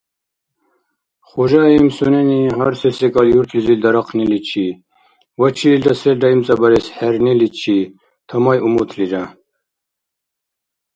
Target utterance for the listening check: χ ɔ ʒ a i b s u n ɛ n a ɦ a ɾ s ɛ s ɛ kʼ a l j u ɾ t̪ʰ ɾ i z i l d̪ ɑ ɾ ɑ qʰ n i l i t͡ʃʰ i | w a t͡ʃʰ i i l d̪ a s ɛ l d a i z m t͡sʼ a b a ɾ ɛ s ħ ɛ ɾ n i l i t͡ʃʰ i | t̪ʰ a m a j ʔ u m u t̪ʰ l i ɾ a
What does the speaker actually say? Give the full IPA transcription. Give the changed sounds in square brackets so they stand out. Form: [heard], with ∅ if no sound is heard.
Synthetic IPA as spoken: χ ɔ ʒ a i [m] s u n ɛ n [i] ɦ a ɾ s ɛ s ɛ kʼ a l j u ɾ t̪ʰ [l] i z i l d̪ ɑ ɾ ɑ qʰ n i l i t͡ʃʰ i | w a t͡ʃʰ i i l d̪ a s ɛ l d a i [∅] m t͡sʼ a b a ɾ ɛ s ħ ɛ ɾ n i l i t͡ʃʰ i | t̪ʰ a m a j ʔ u m u t̪ʰ l i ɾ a